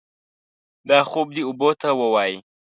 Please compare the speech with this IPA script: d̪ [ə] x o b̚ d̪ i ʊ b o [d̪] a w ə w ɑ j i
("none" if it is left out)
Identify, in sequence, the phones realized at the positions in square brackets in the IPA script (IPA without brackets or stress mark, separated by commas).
ɑ, t̪